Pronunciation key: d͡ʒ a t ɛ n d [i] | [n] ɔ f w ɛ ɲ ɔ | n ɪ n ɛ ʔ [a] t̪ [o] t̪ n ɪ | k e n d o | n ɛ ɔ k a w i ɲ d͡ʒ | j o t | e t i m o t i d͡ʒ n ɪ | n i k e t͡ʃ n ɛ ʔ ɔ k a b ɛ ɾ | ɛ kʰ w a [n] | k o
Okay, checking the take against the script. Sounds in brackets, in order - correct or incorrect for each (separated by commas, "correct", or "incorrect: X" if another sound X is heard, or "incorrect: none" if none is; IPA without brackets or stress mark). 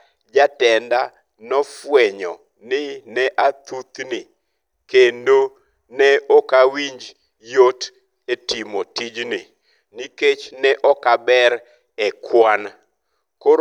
incorrect: a, correct, correct, incorrect: u, correct